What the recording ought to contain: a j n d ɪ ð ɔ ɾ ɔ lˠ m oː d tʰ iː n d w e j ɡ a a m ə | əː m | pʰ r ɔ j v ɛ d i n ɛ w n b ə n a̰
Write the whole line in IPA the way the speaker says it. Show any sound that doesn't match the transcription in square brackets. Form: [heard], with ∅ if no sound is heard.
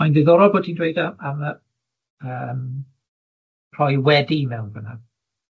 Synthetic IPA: a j n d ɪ ð ɔ ɾ ɔ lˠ [b] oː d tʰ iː n d w e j [d] a a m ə | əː m | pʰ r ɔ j [w] ɛ d i [m] ɛ w n b ə n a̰

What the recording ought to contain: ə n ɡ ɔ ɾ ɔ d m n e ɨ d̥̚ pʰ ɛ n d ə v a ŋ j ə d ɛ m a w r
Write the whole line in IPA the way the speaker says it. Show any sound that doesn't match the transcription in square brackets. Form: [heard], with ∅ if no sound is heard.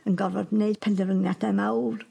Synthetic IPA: ə n ɡ ɔ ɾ ɔ d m n e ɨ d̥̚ pʰ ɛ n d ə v [ə] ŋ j [a] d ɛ m a w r

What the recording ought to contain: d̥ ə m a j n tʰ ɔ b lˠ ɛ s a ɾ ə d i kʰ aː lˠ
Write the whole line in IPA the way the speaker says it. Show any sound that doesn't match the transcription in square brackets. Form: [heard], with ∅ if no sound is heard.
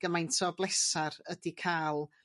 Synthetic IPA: [ɡ̥] ə m a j n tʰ ɔ b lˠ ɛ s a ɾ ə d i kʰ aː lˠ

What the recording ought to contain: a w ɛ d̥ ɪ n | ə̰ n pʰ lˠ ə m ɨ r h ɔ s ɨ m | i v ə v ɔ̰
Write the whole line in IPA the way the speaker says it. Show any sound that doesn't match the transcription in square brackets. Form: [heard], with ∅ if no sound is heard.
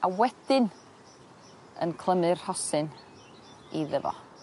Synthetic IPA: a w ɛ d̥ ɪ n | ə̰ n [kʰ] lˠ ə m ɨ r h ɔ s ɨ [n] | i [ð] ə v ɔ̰

